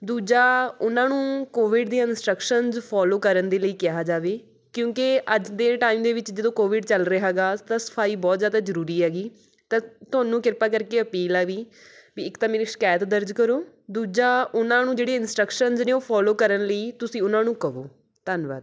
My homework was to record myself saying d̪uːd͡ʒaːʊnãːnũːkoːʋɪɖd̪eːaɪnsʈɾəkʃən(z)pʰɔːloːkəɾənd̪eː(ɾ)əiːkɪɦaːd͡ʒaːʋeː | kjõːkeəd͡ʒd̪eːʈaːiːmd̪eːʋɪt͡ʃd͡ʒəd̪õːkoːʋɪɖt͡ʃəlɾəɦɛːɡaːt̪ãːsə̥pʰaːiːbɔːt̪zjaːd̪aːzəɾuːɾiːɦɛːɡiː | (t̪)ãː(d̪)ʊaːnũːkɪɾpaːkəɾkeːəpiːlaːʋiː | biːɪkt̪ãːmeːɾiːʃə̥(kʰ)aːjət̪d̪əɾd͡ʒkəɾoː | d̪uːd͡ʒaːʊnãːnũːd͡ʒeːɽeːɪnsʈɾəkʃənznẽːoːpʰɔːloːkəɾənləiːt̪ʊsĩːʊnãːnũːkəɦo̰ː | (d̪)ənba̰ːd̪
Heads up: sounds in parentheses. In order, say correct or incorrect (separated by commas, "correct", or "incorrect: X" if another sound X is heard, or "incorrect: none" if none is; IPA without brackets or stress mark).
correct, incorrect: l, correct, incorrect: t̪, incorrect: k, incorrect: t̪